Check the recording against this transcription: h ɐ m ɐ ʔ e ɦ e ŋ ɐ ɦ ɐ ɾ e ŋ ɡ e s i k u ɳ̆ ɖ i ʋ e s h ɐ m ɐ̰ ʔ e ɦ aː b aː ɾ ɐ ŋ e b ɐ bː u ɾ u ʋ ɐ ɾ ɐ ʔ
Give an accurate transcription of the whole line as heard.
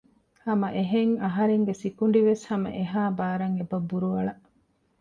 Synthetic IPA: h ɐ m ɐ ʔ e ɦ e ŋ ɐ ɦ ɐ ɾ e ŋ ɡ e s i k u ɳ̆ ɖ i ʋ e s h ɐ m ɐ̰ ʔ e ɦ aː b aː ɾ ɐ ŋ e b ɐ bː u ɾ u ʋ ɐ ɭ ɐ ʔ